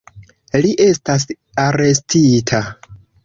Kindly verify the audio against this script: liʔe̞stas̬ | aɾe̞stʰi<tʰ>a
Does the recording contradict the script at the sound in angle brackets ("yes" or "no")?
no